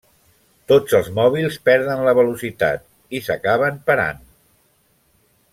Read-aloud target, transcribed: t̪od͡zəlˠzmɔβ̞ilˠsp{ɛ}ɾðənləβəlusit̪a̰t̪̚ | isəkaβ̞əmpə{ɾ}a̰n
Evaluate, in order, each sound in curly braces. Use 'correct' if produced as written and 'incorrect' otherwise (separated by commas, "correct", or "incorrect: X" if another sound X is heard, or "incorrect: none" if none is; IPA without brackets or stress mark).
correct, correct